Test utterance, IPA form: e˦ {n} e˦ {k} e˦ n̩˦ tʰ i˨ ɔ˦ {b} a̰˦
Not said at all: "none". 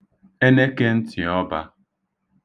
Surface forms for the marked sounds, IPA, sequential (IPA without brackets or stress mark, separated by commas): n, k, b